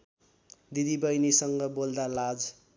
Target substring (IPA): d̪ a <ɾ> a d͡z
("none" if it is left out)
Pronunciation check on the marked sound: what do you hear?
l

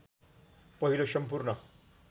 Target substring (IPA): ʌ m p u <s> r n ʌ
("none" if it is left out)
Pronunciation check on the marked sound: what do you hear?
none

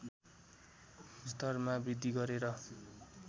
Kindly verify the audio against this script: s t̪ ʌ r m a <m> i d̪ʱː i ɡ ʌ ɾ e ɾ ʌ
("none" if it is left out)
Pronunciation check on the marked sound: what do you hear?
b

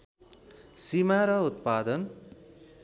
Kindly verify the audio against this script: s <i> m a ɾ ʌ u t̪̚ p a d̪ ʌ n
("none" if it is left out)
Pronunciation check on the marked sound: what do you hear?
i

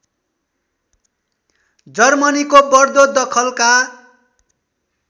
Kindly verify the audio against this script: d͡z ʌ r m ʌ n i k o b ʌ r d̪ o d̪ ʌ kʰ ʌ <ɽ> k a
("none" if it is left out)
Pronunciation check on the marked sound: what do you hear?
l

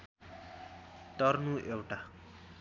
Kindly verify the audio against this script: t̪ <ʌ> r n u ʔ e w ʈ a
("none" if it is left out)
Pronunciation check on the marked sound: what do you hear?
ʌ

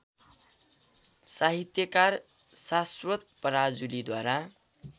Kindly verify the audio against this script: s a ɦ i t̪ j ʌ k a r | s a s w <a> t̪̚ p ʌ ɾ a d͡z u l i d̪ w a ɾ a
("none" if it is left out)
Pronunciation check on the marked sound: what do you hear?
ʌ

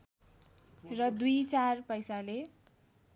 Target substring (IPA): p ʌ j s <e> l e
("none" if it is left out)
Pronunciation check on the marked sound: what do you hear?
a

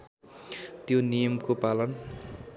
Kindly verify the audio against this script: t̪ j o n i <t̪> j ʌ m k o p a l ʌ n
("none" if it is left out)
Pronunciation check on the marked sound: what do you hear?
none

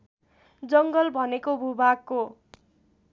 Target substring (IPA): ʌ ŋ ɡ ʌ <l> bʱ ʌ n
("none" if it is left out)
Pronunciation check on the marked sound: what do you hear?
l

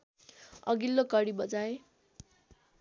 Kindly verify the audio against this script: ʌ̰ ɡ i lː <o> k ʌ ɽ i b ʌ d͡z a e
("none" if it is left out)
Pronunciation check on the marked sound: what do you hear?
o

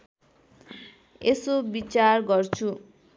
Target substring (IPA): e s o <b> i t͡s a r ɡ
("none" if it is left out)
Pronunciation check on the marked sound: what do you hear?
b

